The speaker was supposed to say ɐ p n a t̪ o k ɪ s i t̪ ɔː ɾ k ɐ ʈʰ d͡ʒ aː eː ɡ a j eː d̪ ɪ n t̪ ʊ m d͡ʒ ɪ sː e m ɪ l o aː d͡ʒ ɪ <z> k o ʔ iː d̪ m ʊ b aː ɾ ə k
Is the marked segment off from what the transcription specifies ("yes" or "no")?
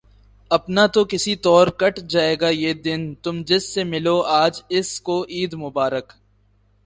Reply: yes